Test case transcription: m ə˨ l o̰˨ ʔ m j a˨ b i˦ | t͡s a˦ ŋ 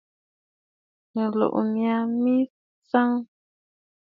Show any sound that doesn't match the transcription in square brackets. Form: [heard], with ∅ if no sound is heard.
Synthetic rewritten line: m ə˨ l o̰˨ ʔ m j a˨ [m] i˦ | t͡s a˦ ŋ